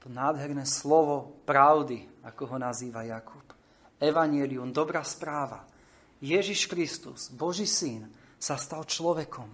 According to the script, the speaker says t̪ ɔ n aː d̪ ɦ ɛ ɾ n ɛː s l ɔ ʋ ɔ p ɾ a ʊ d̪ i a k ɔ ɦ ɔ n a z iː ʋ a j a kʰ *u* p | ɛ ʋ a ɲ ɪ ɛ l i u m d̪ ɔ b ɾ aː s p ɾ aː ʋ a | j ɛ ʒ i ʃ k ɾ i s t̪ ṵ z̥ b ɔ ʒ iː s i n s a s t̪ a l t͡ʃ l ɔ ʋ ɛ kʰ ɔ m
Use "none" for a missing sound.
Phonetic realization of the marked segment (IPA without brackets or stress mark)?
u